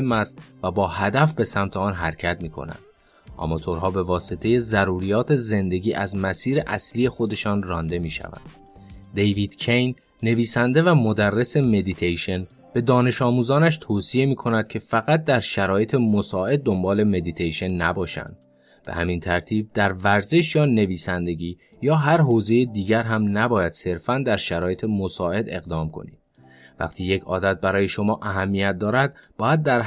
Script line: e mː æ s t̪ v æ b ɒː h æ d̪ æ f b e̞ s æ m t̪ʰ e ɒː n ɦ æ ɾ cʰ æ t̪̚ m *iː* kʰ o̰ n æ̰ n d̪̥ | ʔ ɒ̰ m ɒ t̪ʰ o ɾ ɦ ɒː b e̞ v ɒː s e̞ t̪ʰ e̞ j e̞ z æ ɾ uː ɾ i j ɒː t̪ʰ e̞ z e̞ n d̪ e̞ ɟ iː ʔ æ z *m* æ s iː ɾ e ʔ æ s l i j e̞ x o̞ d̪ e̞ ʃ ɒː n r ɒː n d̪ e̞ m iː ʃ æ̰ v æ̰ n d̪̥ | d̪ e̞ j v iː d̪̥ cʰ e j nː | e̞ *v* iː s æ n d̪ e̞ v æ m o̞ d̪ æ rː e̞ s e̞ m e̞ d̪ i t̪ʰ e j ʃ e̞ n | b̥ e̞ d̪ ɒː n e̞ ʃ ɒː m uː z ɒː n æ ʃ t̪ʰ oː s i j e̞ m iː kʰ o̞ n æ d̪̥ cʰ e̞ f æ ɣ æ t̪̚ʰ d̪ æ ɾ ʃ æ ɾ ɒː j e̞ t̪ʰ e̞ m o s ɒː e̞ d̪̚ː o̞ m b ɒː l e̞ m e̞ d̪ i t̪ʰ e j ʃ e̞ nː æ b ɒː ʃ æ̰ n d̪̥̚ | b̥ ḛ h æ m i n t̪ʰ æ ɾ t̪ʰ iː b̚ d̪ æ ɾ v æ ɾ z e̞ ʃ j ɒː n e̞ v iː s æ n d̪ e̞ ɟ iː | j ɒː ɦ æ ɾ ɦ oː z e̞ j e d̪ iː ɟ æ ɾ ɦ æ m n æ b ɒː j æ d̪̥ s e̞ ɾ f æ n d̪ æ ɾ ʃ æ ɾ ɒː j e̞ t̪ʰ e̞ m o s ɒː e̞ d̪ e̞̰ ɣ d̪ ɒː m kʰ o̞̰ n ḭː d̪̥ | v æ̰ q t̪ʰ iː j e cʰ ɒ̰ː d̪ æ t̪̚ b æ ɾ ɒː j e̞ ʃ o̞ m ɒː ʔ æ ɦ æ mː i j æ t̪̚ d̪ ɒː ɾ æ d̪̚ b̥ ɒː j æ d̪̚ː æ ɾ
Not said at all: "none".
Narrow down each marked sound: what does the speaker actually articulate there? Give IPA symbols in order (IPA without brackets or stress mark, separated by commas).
iː, m, v